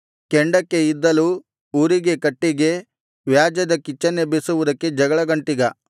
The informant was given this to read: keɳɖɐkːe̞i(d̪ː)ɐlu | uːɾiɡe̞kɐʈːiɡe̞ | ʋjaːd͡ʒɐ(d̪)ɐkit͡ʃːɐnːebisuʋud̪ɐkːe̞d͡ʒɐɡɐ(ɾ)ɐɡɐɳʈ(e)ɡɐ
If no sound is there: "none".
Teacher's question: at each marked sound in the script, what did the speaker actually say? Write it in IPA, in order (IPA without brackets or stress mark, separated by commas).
d̪ː, d̪, ɭ, i